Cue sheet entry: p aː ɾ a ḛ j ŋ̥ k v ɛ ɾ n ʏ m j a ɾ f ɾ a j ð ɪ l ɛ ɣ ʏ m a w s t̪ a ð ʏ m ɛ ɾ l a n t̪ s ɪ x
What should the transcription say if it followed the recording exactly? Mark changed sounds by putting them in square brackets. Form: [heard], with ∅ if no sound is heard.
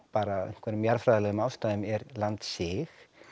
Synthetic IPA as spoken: p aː ɾ a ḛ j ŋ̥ k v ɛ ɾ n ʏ m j a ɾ f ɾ a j ð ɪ l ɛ ɣ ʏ m a w s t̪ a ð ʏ m ɛ ɾ l a n t̪ s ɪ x